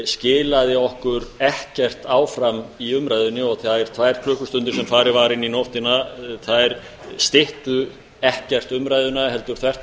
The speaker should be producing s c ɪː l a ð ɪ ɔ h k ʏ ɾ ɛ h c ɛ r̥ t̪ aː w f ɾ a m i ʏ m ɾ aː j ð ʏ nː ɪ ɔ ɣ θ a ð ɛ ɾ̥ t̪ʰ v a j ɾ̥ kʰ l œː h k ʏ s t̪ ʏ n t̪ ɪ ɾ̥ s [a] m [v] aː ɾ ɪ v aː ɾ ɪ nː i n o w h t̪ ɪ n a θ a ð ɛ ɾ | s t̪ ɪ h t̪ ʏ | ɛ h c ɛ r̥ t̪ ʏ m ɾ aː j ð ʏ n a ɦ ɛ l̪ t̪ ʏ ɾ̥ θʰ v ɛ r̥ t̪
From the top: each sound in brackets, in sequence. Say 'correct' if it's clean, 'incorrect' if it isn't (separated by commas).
incorrect, incorrect